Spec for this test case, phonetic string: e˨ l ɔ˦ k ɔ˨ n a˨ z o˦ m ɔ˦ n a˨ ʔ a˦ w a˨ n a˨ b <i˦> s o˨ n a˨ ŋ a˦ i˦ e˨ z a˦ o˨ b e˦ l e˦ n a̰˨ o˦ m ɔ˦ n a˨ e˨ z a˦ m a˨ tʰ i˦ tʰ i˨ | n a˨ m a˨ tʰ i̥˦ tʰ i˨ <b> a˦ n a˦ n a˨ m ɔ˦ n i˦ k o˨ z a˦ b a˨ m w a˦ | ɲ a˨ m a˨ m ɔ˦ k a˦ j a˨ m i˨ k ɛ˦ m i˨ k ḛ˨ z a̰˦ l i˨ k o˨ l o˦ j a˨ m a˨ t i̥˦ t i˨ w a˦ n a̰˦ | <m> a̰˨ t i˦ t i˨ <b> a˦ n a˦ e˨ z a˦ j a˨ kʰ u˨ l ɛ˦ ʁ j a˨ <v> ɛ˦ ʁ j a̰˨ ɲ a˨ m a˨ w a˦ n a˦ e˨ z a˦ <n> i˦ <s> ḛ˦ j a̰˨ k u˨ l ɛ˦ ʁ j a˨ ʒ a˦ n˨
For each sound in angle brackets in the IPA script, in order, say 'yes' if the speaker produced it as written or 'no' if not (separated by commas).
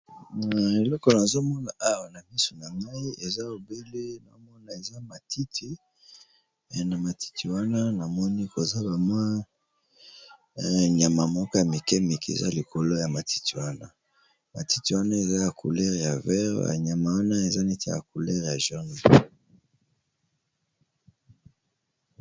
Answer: yes, no, yes, no, yes, yes, no